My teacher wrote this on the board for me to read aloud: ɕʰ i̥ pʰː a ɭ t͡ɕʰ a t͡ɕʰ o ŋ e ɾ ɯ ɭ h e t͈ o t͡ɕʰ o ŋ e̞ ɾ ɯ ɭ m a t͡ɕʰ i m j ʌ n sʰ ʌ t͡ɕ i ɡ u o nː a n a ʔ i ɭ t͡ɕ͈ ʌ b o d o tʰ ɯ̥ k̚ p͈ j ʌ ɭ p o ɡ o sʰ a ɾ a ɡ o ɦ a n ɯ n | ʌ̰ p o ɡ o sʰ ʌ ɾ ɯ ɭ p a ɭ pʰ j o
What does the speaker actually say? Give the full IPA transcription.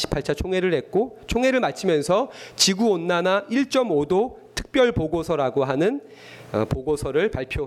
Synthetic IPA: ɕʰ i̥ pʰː a ɭ t͡ɕʰ a t͡ɕʰ o ŋ e ɾ ɯ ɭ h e k͈ o t͡ɕʰ o ŋ e̞ ɾ ɯ ɭ m a t͡ɕʰ i m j ʌ n sʰ ʌ t͡ɕ i ɡ u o nː a n a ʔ i ɭ t͡ɕ͈ ʌ m o d o tʰ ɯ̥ k̚ p͈ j ʌ ɭ p o ɡ o sʰ ʌ ɾ a ɡ o ɦ a n ɯ n | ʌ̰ p o ɡ o sʰ ʌ ɾ ɯ ɭ p a ɭ pʰ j o